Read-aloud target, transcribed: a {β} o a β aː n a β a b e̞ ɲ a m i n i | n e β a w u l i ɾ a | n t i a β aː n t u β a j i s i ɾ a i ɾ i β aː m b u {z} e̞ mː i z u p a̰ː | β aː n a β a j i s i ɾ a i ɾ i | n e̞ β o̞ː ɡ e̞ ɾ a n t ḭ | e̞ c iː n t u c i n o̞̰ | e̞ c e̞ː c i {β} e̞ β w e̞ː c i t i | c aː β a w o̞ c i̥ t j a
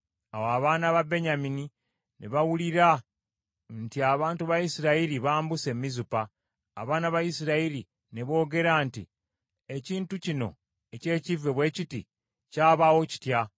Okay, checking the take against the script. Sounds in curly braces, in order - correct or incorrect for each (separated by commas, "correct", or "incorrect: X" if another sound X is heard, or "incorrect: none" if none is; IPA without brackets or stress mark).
incorrect: w, incorrect: s, incorrect: v